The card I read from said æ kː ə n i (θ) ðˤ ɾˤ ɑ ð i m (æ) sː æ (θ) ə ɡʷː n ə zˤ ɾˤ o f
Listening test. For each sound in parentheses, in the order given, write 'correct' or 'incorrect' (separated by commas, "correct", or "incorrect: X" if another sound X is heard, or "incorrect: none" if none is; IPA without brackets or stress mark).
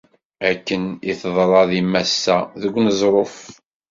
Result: correct, correct, incorrect: ð